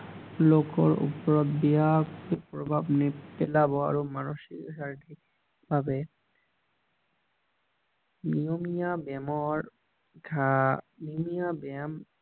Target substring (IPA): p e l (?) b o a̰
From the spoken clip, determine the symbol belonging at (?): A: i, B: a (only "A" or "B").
B